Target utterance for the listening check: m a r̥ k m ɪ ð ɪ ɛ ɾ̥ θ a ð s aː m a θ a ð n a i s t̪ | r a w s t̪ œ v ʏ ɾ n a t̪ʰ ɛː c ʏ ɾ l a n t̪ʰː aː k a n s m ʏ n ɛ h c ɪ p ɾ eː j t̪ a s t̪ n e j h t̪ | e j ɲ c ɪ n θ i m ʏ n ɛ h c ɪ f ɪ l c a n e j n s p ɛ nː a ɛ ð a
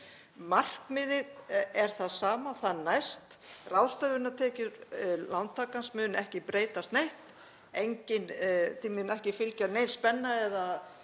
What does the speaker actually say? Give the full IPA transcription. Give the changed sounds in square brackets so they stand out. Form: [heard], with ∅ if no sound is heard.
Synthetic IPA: m a r̥ k m ɪ ð ɪ ɛ ɾ̥ θ a ð s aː m a θ a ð n a [j] s t̪ | r a w s t̪ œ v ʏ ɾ n a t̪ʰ ɛː c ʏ ɾ l a n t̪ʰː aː k a n s m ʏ n ɛ h c ɪ p ɾ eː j t̪ a s t̪ n e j h t̪ | e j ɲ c ɪ n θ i m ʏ n ɛ h c ɪ f ɪ l c a n e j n s p ɛ nː a ɛ ð a